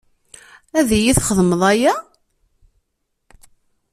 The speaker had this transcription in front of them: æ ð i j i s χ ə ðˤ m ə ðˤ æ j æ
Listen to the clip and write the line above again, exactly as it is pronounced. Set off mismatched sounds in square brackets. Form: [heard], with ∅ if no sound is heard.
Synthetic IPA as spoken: æ ð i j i [θ] χ ə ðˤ m ə ðˤ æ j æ